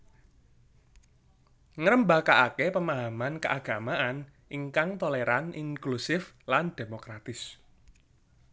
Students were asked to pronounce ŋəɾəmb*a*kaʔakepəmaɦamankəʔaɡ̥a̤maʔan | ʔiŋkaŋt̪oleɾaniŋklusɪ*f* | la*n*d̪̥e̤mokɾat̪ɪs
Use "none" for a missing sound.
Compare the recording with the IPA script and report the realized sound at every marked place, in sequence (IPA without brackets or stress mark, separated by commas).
a, f, n